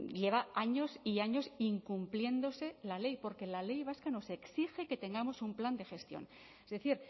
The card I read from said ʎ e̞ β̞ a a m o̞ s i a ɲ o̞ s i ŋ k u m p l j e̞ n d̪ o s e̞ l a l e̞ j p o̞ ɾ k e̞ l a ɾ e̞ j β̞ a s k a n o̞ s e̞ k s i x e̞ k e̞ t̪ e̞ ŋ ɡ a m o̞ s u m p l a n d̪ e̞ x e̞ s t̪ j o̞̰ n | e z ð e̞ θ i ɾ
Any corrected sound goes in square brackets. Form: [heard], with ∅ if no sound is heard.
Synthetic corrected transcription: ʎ e̞ β̞ a a [ɲ] o̞ s i a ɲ o̞ s i ŋ k u m p l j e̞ n d̪ o s e̞ l a l e̞ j p o̞ ɾ k e̞ l a [l] e̞ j β̞ a s k a n o̞ s e̞ k s i x e̞ k e̞ t̪ e̞ ŋ ɡ a m o̞ s u m p l a n d̪ e̞ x e̞ s t̪ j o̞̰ n | e z ð e̞ θ i ɾ